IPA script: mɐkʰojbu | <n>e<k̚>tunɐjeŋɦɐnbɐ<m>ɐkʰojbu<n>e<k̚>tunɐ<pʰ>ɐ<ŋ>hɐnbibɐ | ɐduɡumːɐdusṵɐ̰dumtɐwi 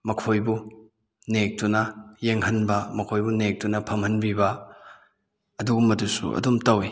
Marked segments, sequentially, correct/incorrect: correct, correct, correct, correct, correct, correct, incorrect: m

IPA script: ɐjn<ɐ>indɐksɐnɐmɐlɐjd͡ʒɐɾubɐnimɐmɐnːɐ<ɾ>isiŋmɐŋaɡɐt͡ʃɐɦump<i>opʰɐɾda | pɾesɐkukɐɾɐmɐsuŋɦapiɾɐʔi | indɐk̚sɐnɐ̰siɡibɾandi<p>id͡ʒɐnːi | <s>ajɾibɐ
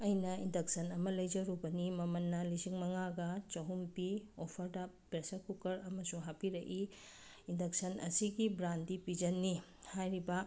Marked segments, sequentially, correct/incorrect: correct, incorrect: l, correct, correct, incorrect: h

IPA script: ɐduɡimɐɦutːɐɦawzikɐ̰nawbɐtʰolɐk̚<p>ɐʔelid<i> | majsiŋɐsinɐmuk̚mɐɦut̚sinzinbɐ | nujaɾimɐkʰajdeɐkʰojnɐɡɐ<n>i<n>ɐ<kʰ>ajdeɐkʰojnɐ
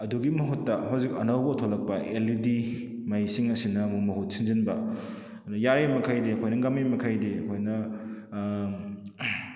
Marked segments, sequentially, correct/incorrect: correct, correct, incorrect: m, incorrect: m, correct

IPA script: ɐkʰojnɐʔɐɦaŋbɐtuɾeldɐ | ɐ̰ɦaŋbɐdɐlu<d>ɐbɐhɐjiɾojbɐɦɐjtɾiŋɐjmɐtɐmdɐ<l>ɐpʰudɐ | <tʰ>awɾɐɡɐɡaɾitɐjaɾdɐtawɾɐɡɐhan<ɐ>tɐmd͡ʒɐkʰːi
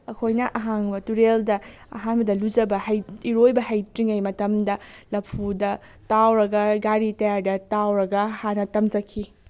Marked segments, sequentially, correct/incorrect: incorrect: d͡ʒ, correct, incorrect: t, correct

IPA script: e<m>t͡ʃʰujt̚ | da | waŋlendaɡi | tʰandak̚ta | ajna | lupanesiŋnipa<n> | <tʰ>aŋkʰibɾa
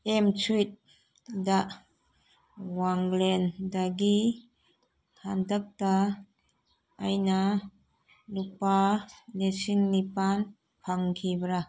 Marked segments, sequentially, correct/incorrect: correct, correct, incorrect: pʰ

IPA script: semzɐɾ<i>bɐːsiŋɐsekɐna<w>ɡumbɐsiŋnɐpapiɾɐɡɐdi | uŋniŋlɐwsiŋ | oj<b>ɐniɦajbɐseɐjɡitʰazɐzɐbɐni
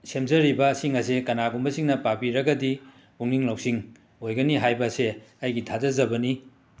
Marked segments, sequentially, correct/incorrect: correct, incorrect: none, incorrect: ɡ

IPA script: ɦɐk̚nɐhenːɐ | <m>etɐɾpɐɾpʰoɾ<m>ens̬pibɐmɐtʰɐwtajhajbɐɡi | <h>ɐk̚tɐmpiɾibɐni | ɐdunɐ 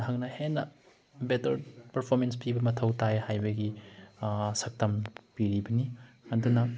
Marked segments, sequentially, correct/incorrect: incorrect: b, correct, incorrect: s

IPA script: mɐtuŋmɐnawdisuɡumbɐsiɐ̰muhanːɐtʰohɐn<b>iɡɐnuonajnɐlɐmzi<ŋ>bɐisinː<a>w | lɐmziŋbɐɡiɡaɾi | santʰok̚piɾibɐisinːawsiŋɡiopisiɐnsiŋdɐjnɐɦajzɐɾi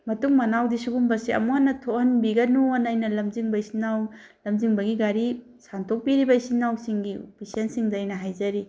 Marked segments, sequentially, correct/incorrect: correct, correct, correct

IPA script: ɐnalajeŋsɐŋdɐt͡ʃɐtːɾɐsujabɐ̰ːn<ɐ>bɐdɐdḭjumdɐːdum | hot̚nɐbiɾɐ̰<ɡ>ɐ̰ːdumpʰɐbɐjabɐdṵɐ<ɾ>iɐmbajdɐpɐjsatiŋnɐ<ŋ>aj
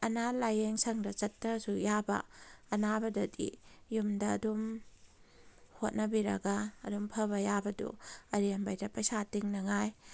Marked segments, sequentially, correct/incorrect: incorrect: a, correct, correct, correct

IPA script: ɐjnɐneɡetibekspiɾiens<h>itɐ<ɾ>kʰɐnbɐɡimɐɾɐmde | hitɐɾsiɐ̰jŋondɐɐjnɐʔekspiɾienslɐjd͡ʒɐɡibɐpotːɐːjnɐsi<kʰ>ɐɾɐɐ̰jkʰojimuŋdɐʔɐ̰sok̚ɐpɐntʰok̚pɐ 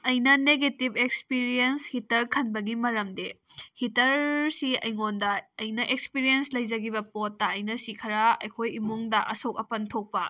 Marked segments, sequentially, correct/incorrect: correct, correct, correct

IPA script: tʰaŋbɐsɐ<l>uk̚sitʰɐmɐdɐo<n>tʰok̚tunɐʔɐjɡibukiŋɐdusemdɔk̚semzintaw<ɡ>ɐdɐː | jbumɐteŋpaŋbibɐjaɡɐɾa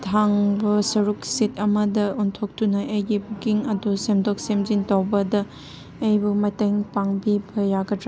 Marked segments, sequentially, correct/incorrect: incorrect: ɾ, correct, incorrect: b

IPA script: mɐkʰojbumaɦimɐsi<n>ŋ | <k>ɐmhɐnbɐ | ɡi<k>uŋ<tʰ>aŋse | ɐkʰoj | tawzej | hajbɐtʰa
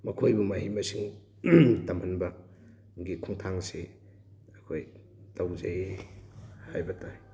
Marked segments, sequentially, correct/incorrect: incorrect: none, incorrect: t, incorrect: kʰ, correct

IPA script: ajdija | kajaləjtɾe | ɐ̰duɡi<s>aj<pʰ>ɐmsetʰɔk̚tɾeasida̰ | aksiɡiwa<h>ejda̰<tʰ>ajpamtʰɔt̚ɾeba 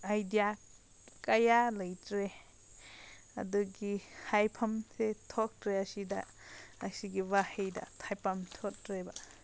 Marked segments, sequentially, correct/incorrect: incorrect: h, correct, correct, correct

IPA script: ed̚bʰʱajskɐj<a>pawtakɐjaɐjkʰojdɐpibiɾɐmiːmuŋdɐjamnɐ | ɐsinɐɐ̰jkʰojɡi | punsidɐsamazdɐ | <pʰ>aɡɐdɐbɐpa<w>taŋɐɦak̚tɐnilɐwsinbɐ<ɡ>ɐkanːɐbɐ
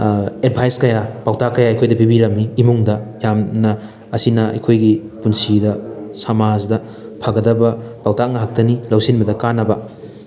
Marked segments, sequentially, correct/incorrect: correct, correct, correct, incorrect: d

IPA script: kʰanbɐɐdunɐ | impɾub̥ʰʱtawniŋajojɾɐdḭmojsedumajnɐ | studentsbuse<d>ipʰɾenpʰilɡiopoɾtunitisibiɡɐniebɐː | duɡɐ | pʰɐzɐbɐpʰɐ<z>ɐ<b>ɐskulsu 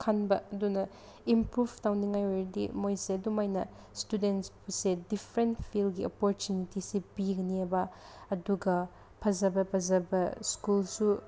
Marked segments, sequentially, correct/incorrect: correct, correct, correct

